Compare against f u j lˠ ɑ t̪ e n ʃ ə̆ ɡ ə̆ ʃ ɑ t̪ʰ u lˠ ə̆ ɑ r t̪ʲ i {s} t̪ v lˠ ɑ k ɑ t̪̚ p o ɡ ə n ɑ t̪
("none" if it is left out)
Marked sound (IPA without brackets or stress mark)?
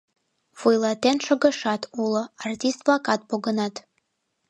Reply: s